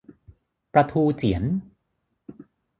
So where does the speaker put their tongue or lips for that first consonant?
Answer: lips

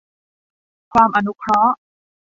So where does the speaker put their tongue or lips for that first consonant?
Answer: velum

